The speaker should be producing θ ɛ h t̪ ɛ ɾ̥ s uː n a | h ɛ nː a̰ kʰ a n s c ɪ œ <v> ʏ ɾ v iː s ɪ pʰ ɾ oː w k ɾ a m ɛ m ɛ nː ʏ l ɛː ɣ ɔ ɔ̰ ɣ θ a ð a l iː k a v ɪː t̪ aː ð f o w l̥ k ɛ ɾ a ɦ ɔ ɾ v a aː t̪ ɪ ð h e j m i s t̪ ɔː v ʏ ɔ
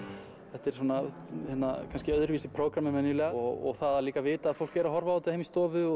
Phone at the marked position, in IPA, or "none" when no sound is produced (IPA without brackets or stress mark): ð